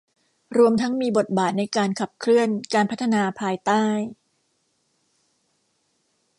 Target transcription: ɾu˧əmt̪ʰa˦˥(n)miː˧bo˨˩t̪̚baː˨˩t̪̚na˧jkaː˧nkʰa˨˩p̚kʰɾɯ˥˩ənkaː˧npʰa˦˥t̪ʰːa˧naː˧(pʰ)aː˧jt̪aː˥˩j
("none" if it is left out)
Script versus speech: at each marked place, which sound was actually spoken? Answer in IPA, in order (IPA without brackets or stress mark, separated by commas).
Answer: ŋ, pʰ